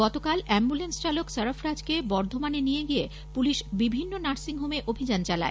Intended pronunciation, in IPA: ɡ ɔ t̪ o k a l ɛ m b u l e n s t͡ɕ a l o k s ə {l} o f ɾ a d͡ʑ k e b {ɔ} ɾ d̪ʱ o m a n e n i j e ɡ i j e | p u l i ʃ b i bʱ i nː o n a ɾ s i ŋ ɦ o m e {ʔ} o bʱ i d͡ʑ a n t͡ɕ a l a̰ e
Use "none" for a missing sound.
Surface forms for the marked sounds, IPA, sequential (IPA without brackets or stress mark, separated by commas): ɾ, ɔ, ʔ